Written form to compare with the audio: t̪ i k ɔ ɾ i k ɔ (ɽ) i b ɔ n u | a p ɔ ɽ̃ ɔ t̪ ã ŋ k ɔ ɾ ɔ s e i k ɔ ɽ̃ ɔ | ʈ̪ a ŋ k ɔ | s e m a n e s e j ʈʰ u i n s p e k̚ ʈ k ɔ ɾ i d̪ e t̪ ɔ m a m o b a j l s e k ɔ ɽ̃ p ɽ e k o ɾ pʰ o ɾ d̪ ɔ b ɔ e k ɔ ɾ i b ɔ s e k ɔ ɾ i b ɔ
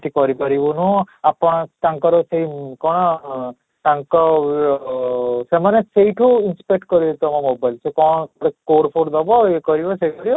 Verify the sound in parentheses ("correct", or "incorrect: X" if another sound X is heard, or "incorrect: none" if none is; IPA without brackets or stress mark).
incorrect: ɾ